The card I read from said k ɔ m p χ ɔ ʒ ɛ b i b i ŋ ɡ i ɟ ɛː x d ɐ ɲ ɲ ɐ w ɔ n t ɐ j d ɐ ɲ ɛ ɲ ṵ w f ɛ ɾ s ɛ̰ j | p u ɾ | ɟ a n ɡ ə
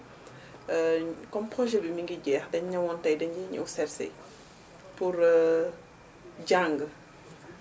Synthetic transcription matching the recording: k ɔ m p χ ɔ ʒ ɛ b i m i ŋ ɡ i ɟ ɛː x d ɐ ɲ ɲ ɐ w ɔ n t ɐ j d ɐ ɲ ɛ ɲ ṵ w s ɛ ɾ s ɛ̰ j | p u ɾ | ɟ a ŋ ɡ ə